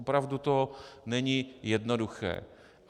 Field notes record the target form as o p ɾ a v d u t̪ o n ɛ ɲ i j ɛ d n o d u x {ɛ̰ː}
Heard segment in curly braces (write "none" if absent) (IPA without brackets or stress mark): ɛ̰ː